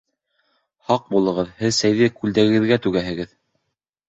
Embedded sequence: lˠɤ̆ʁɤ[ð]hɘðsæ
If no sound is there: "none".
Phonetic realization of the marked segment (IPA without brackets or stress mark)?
ð